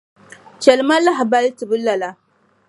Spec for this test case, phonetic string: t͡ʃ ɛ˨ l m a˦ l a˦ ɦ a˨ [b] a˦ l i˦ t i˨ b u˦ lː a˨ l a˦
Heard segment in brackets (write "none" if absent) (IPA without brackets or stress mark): b